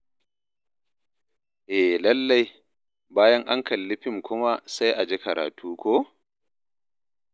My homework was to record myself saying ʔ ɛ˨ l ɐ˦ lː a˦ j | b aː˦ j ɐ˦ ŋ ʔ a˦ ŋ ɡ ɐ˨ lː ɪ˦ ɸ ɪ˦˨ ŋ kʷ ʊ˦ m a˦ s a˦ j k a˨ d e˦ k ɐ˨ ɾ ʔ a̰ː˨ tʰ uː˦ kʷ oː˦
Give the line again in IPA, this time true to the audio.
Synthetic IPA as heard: ʔ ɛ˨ l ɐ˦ lː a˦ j | b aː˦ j ɐ˦ ŋ ʔ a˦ ŋ k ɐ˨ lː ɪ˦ ɸ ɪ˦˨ ŋ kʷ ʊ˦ m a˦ s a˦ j ʔ a˨ d͡ʒ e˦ k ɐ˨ ɾ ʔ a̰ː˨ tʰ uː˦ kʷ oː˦